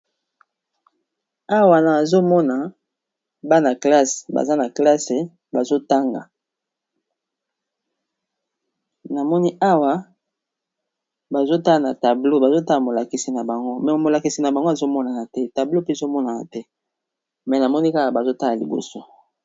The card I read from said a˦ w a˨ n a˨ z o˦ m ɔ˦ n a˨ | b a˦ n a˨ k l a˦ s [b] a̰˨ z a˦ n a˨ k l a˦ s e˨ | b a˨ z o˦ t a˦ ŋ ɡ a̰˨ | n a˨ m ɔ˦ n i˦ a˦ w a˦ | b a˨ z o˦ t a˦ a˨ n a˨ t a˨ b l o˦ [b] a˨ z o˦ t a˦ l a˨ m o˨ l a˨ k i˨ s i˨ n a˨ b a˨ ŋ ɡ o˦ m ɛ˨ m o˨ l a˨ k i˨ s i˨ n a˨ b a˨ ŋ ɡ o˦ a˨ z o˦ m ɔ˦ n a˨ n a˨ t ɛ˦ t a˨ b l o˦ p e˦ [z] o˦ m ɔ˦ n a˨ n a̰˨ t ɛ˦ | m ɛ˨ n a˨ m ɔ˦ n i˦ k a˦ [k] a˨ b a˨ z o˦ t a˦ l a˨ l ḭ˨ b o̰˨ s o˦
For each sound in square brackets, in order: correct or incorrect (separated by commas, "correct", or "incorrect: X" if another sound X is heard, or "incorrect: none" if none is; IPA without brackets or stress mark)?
correct, correct, correct, correct